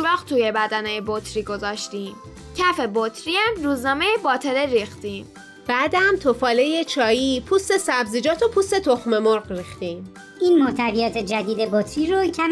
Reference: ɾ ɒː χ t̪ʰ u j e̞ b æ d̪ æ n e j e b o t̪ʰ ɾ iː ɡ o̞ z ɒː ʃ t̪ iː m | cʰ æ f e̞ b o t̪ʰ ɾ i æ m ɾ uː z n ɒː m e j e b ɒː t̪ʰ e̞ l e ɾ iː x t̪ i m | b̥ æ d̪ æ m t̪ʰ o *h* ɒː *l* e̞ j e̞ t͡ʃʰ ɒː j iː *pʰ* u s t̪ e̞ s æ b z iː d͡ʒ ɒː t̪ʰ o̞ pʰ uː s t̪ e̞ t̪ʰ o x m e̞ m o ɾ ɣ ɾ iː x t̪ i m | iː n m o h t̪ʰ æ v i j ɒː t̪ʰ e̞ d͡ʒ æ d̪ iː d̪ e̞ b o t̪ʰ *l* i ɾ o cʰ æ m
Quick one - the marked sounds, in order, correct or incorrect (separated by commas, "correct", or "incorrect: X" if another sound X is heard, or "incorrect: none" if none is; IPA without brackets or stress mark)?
incorrect: f, correct, correct, incorrect: ɾ